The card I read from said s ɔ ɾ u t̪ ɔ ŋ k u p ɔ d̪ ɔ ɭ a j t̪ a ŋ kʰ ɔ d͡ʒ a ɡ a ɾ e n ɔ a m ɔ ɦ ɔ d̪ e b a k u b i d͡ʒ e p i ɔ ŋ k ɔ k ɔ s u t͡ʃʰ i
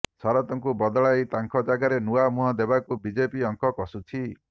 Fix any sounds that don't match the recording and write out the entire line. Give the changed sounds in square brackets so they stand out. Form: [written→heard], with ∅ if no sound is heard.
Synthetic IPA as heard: s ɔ ɾ [u→ɔ] t̪ ɔ ŋ k u [p→b] ɔ d̪ ɔ ɭ a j t̪ a ŋ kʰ ɔ d͡ʒ a ɡ a ɾ e n [ɔ→u] a m [ɔ→u] ɦ ɔ d̪ e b a k u b i d͡ʒ e p i ɔ ŋ k ɔ k ɔ s u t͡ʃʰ i